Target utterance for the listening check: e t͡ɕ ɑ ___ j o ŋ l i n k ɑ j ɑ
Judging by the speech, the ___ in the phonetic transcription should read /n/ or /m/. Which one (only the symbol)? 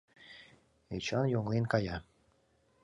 n